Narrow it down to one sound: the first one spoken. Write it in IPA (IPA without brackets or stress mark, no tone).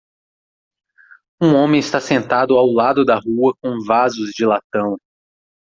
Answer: ũ